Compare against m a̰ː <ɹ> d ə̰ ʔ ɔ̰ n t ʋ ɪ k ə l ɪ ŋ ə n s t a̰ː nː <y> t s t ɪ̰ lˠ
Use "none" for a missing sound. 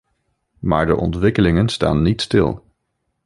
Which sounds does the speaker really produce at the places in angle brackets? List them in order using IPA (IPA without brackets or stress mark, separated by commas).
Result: ɹ, i